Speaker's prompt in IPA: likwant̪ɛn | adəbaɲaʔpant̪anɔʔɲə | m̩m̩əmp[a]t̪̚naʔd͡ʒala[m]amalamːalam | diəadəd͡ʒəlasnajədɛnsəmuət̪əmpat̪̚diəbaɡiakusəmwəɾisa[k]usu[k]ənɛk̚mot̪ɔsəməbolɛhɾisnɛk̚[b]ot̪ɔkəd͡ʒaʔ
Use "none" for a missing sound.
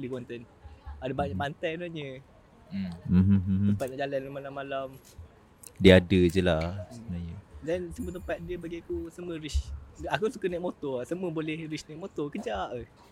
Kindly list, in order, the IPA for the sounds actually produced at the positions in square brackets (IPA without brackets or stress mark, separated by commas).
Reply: a, n, k, k, m